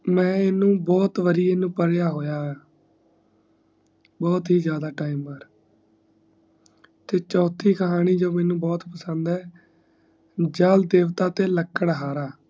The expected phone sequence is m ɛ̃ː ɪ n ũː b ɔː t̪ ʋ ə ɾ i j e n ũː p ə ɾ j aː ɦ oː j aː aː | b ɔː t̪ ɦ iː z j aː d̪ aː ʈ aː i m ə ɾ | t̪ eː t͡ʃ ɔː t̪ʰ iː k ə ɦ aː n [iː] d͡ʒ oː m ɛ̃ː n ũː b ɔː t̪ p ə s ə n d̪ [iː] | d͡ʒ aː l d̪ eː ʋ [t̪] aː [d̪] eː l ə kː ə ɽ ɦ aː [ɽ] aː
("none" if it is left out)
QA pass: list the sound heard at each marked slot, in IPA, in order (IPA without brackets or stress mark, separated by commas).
iː, ɛː, t̪, t̪, ɾ